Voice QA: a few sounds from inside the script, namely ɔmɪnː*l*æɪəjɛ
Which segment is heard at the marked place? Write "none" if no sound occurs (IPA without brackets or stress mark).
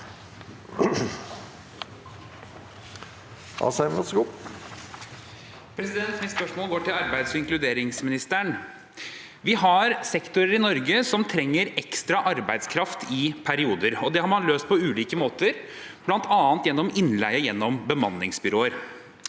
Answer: l